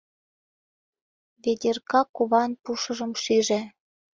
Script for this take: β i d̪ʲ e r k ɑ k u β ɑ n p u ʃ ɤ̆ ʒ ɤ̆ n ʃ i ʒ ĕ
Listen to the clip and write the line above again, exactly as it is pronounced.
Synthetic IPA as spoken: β e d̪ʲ e r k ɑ k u β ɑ n p u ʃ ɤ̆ ʒ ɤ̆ m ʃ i ʒ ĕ